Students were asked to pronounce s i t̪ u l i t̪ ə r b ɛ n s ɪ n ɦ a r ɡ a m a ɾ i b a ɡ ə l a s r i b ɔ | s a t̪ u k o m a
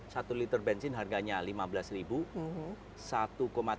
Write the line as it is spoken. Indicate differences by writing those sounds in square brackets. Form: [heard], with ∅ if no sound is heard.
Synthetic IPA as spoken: s [a] t̪ u l i t̪ ə r b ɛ n s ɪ n ɦ a r ɡ a [ɲ] a [l] i [m] a [b] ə l a s r i b [u] | s a t̪ u k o m a